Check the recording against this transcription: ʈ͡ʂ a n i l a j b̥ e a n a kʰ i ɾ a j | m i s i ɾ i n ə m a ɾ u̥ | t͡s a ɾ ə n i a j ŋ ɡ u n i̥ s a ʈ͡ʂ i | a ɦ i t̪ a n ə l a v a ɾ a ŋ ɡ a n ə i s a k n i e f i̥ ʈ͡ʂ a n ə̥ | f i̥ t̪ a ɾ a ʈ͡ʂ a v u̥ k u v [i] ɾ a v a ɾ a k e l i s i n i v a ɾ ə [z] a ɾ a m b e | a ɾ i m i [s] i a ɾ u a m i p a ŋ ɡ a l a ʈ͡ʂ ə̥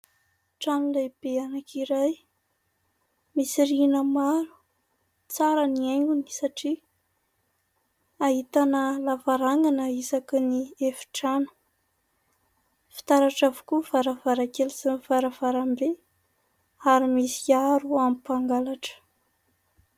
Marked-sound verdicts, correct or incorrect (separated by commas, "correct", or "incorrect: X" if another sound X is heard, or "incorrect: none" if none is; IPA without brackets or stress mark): incorrect: a, incorrect: v, correct